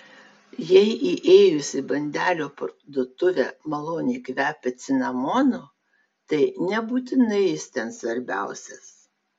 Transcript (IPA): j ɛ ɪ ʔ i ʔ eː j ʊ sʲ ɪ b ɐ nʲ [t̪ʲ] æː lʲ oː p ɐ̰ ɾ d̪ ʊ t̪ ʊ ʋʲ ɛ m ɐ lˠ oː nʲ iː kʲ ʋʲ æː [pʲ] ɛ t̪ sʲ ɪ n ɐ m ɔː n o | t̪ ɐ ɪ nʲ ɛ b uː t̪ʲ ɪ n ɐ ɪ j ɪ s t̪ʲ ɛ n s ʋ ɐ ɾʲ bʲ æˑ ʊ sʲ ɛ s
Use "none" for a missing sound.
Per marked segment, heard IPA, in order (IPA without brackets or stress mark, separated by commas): d̪ʲ, pʲ